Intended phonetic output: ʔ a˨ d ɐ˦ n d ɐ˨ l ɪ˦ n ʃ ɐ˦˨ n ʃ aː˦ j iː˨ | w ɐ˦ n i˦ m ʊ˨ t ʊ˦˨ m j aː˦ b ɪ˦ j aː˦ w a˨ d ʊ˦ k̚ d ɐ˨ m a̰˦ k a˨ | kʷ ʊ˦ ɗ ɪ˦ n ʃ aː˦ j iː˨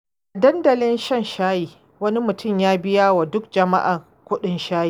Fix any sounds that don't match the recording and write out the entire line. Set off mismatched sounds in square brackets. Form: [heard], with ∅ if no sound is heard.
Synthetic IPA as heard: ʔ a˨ d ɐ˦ n d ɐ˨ l ɪ˦ n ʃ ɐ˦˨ n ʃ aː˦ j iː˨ | w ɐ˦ n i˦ m ʊ˨ t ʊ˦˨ m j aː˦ b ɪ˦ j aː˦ w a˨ d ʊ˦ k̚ [d͡ʒ] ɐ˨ m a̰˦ [ʔ] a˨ | kʷ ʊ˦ ɗ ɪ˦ n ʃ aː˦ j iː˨